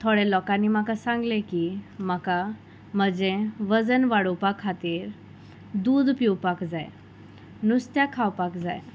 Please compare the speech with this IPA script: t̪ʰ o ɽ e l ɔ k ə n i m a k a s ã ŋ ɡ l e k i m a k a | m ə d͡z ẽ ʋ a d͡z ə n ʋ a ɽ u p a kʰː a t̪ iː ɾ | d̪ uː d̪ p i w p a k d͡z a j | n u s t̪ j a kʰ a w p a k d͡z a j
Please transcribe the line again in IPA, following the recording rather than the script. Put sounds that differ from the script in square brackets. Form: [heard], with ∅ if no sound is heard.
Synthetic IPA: t̪ʰ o ɽ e l ɔ k [a] n i m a k a s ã ŋ ɡ l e k i m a k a | m ə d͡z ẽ ʋ [ə] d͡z ə n ʋ a ɽ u p a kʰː a t̪ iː ɾ | d̪ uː d̪ p i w p a k d͡z a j | n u s t̪ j a kʰ a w p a k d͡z a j